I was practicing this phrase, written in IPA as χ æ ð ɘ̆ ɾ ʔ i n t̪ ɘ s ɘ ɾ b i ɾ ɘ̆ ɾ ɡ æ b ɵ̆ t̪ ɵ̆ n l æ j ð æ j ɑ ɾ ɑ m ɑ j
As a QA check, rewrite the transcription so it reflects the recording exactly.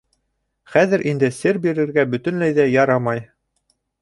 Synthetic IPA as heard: χ æ ð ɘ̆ ɾ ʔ i n d̪ ɘ s ɘ ɾ b i ɾ ɘ̆ ɾ ɡ æ b ɵ̆ t̪ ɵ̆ n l æ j ð æ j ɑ ɾ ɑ m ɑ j